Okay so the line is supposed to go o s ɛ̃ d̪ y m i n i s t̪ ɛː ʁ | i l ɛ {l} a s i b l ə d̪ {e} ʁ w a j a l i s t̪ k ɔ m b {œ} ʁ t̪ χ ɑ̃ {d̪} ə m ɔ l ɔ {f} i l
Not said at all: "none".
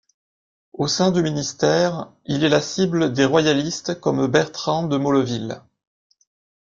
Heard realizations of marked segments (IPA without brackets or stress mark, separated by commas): l, e, ɛ, d̪, v